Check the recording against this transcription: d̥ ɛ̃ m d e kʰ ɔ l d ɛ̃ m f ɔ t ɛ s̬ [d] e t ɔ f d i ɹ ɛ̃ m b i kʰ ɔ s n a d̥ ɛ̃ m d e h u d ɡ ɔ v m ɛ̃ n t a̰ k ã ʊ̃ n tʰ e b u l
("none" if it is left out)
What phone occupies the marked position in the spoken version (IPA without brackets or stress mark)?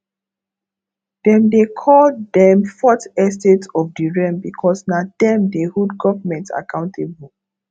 t